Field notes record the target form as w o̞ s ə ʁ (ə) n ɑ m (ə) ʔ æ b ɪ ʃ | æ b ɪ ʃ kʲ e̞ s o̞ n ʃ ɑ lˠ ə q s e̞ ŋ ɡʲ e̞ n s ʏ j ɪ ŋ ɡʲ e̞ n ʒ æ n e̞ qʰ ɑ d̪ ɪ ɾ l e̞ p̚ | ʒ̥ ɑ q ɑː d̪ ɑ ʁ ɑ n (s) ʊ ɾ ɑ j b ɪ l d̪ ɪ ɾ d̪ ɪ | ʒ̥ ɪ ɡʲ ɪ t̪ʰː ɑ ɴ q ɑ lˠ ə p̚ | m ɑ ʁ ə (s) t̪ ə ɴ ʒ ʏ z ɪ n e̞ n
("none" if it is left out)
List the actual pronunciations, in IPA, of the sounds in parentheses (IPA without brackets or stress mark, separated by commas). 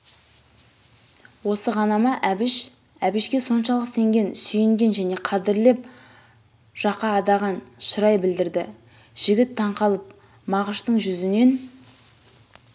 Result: ɑ, ɑ, ʃ, ʃ